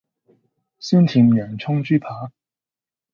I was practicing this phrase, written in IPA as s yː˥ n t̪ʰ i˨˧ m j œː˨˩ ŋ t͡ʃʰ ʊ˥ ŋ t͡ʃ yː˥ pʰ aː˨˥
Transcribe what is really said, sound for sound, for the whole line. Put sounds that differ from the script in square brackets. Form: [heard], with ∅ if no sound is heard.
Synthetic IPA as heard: s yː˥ n t̪ʰ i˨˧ m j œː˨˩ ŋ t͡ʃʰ ʊ˥ ŋ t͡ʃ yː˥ pʰ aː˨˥